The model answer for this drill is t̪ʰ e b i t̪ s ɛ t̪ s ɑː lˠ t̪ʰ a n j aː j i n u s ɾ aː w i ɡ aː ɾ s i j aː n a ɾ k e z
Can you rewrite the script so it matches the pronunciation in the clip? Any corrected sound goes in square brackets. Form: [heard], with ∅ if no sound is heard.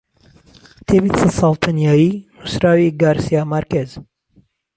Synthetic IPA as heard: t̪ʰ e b i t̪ s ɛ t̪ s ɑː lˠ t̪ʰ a n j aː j i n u s ɾ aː w i ɡ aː ɾ s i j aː [m] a ɾ k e z